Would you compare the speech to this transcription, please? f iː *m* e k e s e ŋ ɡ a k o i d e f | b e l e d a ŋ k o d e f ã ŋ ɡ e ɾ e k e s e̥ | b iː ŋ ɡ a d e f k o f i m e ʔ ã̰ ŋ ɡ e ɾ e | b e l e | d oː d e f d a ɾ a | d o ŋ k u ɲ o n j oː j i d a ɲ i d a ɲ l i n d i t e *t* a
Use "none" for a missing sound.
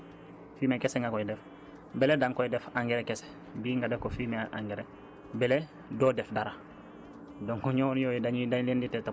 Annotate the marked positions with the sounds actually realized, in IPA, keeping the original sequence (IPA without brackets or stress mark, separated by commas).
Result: m, t